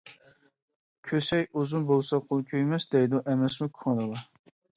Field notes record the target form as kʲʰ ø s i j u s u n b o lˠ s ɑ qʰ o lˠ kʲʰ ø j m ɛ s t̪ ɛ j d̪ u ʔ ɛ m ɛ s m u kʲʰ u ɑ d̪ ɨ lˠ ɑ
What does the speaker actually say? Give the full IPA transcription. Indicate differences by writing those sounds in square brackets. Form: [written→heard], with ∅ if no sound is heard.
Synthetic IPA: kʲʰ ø s [i→ɛ] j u [s→z] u n b o lˠ s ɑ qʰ o lˠ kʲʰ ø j m ɛ s [t̪→d̪] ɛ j d̪ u ʔ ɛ m ɛ s m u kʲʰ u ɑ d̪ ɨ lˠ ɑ